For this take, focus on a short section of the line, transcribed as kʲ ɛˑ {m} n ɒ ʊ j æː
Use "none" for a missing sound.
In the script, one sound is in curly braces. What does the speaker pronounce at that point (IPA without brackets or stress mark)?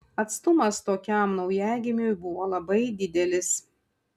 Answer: m